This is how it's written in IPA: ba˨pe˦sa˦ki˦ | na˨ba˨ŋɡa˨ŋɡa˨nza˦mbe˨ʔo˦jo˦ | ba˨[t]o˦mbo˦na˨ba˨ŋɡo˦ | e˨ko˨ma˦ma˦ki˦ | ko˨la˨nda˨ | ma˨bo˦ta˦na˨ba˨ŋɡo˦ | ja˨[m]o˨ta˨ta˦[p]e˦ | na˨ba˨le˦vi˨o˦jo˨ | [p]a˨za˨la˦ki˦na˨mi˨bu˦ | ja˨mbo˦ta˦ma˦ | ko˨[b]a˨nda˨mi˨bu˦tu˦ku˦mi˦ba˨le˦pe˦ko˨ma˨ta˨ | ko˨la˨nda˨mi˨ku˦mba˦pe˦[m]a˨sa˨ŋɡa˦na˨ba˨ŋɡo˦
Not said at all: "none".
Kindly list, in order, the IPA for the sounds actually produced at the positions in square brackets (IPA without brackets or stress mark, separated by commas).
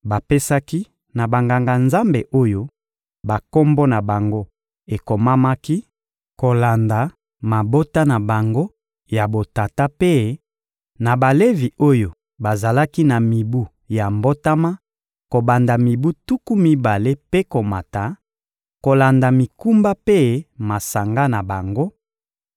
k, b, p, b, b, m